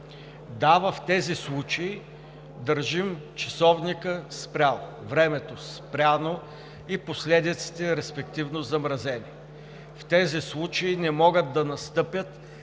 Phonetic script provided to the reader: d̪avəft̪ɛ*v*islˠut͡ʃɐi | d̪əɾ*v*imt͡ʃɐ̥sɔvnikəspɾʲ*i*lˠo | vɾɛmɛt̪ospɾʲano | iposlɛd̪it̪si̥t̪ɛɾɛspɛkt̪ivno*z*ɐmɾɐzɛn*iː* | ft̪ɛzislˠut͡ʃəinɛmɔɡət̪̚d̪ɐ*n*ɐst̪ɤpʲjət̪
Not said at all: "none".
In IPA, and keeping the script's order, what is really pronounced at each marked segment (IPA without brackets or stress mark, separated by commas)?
z, ʒ, a, z, i, n